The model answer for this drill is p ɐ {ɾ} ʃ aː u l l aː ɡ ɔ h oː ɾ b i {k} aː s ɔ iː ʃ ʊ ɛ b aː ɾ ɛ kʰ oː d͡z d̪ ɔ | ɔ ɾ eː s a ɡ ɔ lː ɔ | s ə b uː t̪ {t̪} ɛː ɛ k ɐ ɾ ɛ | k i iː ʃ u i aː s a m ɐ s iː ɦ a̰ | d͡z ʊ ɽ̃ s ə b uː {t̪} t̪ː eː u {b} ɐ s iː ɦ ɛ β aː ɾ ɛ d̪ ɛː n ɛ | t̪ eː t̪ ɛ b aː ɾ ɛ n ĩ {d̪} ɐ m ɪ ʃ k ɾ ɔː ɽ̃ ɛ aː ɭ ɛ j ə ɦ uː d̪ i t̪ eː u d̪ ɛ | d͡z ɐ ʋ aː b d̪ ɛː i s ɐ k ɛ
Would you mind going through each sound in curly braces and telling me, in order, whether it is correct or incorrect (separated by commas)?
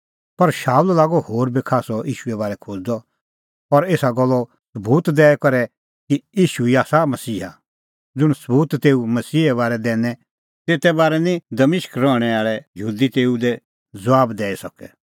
correct, incorrect, incorrect, correct, incorrect, correct